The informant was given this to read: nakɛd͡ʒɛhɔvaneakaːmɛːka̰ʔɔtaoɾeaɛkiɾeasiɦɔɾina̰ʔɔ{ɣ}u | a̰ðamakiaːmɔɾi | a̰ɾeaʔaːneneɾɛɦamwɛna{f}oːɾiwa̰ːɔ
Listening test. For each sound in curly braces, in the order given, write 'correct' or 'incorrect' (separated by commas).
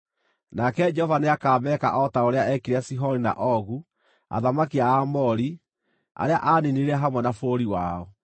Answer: correct, correct